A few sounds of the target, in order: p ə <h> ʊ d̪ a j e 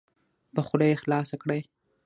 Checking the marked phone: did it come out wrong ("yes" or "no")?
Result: yes